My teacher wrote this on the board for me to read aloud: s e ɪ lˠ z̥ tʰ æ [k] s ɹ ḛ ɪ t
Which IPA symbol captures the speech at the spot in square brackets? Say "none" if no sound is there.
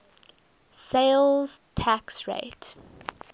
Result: k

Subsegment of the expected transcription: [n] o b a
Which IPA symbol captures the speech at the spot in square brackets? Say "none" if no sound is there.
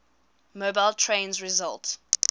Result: m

